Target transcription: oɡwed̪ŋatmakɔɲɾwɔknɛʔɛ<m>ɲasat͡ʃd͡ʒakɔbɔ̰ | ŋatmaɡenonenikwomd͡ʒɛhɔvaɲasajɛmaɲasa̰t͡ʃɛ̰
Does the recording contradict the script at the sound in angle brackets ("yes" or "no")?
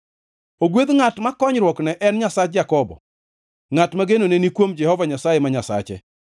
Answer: yes